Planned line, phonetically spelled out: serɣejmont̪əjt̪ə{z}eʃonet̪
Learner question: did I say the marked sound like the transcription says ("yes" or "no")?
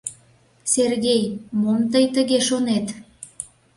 no